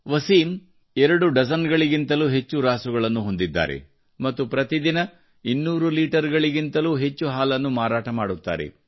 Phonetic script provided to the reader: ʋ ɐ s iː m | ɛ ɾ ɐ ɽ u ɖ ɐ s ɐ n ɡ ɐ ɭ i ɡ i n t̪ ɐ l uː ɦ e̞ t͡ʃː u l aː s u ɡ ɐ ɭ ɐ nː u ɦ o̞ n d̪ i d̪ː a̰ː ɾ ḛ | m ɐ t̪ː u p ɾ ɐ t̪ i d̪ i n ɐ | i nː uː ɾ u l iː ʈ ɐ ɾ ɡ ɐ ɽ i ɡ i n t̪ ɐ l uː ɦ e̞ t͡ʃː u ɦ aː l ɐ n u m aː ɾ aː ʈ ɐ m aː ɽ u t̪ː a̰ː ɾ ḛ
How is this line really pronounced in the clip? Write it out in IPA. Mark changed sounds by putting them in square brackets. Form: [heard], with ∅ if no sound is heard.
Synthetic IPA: ʋ ɐ s iː m | ɛ ɾ ɐ ɽ u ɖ ɐ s ɐ n ɡ ɐ ɭ i ɡ i n t̪ ɐ l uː ɦ e̞ t͡ʃː u [ɾ] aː s u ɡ ɐ ɭ ɐ nː u ɦ o̞ n d̪ i d̪ː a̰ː ɾ ḛ | m ɐ t̪ː u p ɾ ɐ t̪ i d̪ i n ɐ | i nː uː ɾ u l iː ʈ ɐ ɾ ɡ ɐ [ɭ] i ɡ i n t̪ ɐ l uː ɦ e̞ t͡ʃː u ɦ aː l ɐ [nː] u m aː ɾ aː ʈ ɐ m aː ɽ u t̪ː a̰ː ɾ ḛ